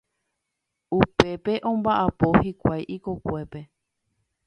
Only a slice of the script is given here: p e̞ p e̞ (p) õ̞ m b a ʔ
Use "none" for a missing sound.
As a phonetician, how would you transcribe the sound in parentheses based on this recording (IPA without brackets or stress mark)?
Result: ʔ